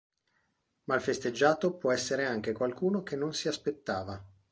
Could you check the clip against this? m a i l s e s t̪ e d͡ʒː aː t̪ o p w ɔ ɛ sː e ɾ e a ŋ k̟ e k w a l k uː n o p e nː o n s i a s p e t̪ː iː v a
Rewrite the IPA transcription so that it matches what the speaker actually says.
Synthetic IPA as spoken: m a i l f e s t̪ e d͡ʒː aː t̪ o p w ɔ ɛ sː e ɾ e a ŋ k̟ e k w a l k uː n o k e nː o n s i a s p e t̪ː aː v a